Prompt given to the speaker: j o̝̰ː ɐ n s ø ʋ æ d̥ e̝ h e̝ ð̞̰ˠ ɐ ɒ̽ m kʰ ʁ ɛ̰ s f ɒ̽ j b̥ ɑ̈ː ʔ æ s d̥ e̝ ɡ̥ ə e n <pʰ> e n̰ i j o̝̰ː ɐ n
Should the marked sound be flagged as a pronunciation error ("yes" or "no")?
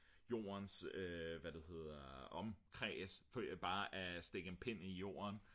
no